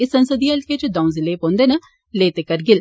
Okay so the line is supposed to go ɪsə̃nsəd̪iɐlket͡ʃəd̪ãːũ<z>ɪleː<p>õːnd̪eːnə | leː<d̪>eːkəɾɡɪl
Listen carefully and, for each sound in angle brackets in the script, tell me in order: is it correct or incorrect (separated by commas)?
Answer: correct, correct, incorrect